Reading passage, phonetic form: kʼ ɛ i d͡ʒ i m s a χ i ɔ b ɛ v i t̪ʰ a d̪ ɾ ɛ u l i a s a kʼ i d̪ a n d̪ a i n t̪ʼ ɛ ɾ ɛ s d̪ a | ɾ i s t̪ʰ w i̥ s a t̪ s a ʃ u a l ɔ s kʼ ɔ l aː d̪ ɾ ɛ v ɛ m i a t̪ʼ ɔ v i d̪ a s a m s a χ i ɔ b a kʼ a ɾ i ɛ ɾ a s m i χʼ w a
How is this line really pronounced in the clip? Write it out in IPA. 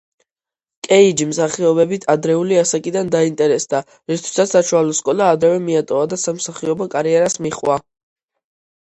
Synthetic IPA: kʼ ɛ i d͡ʒ i m s a χ i ɔ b ɛ b i t̪ʰ a d̪ ɾ ɛ u l i a s a kʼ i d̪ a n d̪ a i n t̪ʼ ɛ ɾ ɛ s d̪ a | ɾ i s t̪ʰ w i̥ s a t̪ s a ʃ u a l ɔ s kʼ ɔ l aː d̪ ɾ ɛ v ɛ m i a t̪ʼ ɔ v a d̪ a s a m s a χ i ɔ b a kʼ a ɾ i ɛ ɾ a s m i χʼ w a